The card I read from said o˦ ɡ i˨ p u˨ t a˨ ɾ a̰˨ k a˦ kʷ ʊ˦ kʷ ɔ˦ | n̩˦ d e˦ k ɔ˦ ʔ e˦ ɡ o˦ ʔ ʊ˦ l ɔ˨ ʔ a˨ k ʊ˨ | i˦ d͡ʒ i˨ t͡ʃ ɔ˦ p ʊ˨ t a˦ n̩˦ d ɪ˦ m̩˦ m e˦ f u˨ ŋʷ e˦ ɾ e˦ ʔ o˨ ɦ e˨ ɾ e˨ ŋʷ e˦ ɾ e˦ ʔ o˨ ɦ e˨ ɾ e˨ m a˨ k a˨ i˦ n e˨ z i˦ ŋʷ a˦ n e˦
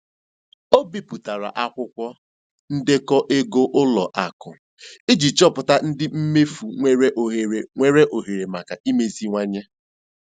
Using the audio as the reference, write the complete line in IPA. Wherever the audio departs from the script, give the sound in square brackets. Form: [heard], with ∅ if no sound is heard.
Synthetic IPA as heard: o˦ [b] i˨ p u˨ t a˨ ɾ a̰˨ [ʔ] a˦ kʷ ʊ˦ kʷ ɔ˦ | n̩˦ d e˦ k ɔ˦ ʔ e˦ ɡ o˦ ʔ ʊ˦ l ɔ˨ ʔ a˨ k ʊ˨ | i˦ d͡ʒ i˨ t͡ʃ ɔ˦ p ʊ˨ t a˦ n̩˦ d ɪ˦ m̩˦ m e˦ f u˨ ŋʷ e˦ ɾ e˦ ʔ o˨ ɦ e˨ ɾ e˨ ŋʷ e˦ ɾ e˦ ʔ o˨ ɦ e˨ ɾ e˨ m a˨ k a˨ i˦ [m] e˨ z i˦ ŋʷ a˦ [ɲ] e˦